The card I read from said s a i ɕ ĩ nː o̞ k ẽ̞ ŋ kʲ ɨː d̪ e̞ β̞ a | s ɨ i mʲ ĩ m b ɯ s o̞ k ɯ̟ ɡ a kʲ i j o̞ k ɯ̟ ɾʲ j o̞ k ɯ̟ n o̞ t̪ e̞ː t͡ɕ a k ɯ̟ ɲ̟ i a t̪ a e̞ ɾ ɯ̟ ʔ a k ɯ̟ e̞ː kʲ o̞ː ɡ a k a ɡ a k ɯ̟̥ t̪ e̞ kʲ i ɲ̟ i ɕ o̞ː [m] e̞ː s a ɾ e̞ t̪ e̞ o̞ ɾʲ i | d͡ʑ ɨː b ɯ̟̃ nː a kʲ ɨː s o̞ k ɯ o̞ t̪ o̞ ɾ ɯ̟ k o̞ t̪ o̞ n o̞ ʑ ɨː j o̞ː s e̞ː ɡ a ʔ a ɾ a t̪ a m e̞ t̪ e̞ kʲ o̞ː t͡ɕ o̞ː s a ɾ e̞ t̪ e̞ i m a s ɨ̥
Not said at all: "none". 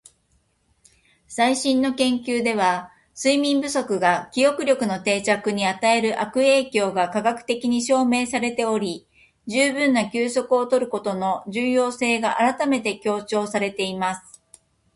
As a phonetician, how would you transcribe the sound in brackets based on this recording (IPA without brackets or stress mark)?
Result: m